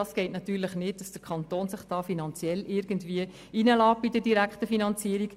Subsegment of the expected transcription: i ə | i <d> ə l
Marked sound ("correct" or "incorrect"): incorrect